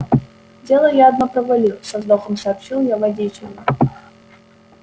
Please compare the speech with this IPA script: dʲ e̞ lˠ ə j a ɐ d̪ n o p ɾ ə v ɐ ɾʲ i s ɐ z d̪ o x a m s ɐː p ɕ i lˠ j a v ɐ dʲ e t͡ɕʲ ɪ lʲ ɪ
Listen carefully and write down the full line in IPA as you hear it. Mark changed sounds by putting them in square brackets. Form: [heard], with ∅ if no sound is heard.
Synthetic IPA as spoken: dʲ e̞ lˠ ə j a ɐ d̪ n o p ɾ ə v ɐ [lʲ] i s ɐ z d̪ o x [ə] m s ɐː p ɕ i lˠ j a v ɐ dʲ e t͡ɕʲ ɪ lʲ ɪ

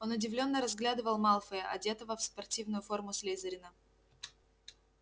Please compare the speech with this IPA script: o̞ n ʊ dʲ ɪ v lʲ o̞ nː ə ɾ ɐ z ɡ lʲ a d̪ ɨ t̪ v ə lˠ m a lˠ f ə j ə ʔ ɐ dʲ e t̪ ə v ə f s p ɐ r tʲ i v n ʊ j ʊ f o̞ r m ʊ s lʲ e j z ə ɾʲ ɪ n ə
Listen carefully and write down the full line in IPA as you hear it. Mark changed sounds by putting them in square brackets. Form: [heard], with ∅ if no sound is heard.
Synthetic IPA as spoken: o̞ n ʊ dʲ ɪ v lʲ o̞ nː ə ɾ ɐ z ɡ lʲ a d̪ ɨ [∅] v ə lˠ m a lˠ f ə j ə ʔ ɐ dʲ e t̪ ə v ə f s p ɐ r tʲ i v n ʊ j ʊ f o̞ r m ʊ s lʲ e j z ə ɾʲ ɪ n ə

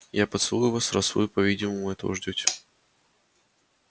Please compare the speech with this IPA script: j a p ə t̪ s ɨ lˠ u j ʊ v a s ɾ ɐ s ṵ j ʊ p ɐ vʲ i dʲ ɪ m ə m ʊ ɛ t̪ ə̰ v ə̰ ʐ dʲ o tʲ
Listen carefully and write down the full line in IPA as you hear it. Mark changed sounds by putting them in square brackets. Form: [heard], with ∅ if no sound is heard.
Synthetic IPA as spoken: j a p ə t̪ s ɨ lˠ u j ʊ v a s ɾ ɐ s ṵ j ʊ p ɐ vʲ i dʲ ɪ m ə m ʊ ɛ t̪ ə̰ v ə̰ ʐ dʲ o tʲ

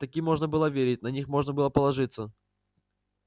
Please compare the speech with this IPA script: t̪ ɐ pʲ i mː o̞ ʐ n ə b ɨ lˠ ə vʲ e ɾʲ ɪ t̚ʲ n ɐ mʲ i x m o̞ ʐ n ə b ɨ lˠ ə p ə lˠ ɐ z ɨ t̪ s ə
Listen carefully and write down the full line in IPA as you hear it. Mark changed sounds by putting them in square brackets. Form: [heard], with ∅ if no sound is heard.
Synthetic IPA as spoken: t̪ ɐ [kʲ] i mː o̞ ʐ n ə b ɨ lˠ ə vʲ e ɾʲ ɪ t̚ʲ n ɐ [nʲ] i x m o̞ ʐ n ə b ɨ lˠ ə p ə lˠ ɐ [ʐ] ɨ t̪ s ə

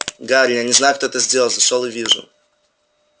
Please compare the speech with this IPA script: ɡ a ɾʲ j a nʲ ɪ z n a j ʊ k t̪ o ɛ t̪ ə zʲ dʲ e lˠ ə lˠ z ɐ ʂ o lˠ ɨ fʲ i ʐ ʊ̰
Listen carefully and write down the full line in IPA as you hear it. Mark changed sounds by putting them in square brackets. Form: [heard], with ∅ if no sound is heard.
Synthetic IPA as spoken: ɡ a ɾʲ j a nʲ ɪ z n a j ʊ k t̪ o ɛ t̪ ə zʲ dʲ e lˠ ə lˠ z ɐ ʂ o lˠ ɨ [vʲ] i ʐ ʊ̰

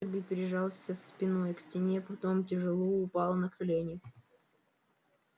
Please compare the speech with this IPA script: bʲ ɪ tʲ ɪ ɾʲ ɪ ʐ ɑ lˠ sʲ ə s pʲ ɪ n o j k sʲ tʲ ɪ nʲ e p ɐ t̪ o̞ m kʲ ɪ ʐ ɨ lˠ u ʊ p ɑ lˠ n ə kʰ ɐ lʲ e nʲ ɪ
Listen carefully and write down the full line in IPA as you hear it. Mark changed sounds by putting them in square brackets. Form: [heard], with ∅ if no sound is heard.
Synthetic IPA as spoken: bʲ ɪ [pʲ] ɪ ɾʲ ɪ ʐ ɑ lˠ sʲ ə s pʲ ɪ n o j k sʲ tʲ ɪ nʲ e p ɐ t̪ o̞ m [tʲ] ɪ ʐ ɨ lˠ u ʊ p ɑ lˠ n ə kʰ ɐ lʲ e nʲ ɪ

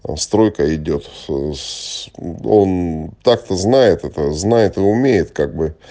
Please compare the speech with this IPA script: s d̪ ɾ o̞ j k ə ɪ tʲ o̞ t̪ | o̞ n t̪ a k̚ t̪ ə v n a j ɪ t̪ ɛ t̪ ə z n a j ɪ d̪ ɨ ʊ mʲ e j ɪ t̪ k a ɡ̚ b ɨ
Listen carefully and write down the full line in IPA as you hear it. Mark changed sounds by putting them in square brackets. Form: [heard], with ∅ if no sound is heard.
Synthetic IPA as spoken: s [t̪] ɾ o̞ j k ə ɪ [dʲ] o̞ t̪ | o̞ n t̪ a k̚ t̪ ə [z] n a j ɪ t̪ ɛ t̪ ə z n a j ɪ [t̪] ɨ ʊ mʲ e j ɪ t̪ k a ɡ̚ b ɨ

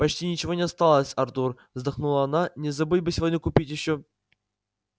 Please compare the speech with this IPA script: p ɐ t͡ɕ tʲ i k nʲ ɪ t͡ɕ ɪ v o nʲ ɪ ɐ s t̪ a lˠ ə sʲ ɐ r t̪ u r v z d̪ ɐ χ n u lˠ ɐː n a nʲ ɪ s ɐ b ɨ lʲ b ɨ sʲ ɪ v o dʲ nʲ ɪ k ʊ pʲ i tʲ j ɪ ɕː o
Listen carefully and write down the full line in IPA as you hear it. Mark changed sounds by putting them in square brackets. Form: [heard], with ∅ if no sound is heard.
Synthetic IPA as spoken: p ɐ t͡ɕ tʲ i [∅] nʲ ɪ t͡ɕ ɪ v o nʲ ɪ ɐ s t̪ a lˠ ə sʲ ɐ r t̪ u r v z d̪ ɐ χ n u lˠ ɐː n a nʲ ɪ [z] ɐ b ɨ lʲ b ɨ sʲ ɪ v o dʲ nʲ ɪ k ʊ pʲ i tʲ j ɪ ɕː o

